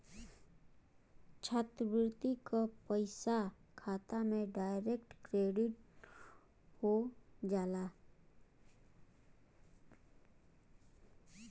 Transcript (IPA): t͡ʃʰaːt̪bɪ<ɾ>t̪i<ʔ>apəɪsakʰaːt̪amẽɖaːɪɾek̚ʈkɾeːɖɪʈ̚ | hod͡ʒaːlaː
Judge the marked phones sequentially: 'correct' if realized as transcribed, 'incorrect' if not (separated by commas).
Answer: correct, incorrect